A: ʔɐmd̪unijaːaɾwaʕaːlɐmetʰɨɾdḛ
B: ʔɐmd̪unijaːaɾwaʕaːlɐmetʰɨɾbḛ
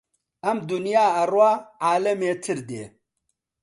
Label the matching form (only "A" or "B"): A